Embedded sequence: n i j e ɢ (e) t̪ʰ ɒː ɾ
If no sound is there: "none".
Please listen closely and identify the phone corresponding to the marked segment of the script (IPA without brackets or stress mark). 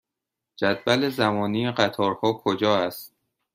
æ